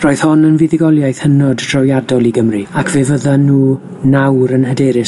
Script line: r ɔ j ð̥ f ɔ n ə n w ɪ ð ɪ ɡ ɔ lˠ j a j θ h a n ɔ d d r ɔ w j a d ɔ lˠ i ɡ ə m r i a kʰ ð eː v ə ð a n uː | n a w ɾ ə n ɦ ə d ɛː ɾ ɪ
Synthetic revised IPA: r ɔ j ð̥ h ɔ n ə n v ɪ ð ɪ ɡ ɔ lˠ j a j θ h ə n ɔ d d r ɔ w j a d ɔ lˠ i ɡ ə m r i a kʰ v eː v ə ð a n uː | n a w ɾ ə n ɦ ə d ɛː ɾ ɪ